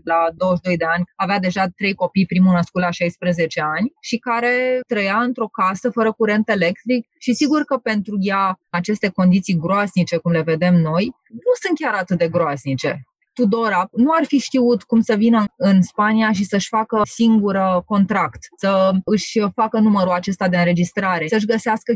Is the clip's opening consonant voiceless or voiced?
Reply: voiced